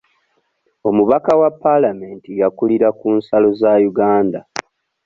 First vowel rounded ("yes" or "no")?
yes